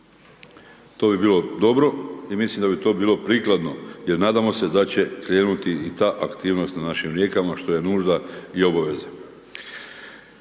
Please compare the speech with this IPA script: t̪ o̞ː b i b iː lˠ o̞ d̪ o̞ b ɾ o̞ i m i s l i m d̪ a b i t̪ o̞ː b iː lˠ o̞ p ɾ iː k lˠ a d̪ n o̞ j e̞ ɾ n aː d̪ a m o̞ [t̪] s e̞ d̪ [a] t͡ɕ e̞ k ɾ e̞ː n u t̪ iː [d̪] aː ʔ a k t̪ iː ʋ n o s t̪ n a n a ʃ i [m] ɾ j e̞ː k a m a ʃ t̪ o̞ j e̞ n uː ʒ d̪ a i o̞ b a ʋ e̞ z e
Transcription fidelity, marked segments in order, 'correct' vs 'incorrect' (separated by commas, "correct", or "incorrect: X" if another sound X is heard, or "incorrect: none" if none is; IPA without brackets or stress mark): incorrect: none, correct, incorrect: t̪, correct